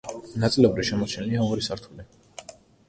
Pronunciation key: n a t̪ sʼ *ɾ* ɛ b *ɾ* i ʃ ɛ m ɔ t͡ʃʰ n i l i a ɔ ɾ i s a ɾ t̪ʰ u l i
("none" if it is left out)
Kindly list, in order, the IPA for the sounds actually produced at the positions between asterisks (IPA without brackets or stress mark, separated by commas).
l, ɾ